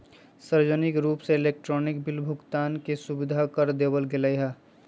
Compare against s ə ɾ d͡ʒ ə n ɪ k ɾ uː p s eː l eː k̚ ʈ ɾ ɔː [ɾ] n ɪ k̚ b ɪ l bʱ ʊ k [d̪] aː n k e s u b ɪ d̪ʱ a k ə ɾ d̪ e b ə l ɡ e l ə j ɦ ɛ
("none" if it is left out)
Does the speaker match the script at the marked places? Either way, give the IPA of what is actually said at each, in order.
none, t̪

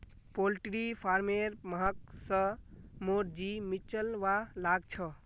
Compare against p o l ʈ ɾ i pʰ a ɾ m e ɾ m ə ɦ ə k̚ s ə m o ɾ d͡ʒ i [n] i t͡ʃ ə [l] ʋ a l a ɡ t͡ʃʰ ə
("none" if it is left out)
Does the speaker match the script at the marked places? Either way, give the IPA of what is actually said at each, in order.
m, l

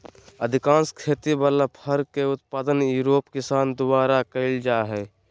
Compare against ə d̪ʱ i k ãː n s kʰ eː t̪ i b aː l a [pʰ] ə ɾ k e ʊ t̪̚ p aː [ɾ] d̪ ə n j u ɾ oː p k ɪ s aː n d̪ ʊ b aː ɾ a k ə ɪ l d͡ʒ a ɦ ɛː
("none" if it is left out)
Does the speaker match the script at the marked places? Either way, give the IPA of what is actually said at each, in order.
pʰ, none

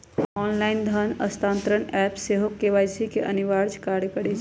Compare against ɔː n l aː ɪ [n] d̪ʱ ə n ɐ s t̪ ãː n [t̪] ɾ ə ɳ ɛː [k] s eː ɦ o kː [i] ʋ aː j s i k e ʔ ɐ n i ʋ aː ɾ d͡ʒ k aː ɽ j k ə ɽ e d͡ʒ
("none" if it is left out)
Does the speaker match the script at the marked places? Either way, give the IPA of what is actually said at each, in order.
n, t̪, p, e

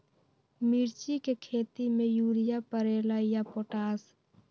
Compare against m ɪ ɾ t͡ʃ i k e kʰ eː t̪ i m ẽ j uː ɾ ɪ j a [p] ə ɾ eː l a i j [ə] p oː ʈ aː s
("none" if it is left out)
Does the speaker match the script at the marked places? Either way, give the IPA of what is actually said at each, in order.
p, a

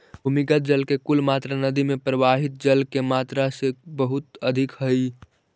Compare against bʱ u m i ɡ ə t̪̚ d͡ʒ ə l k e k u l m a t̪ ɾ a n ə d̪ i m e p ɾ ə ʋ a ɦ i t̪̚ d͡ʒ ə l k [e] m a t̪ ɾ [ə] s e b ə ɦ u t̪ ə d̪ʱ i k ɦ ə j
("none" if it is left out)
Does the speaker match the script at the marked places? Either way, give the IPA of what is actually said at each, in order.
e, a

